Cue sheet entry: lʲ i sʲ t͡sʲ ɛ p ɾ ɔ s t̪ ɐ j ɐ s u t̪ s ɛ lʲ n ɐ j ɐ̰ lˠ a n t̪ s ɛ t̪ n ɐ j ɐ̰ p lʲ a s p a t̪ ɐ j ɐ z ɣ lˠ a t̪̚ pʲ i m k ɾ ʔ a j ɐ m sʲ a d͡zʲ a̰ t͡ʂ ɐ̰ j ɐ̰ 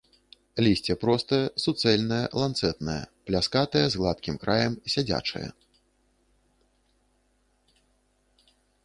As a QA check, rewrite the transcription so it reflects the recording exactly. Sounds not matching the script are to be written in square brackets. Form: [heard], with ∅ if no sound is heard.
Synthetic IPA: lʲ i sʲ t͡sʲ ɛ p ɾ ɔ s t̪ ɐ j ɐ s u t̪ s ɛ lʲ n ɐ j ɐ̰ lˠ a n t̪ s ɛ t̪ n ɐ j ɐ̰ p lʲ a s [k] a t̪ ɐ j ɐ z ɣ lˠ a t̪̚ [kʲ] i m k ɾ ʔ a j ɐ m sʲ a d͡zʲ a̰ t͡ʂ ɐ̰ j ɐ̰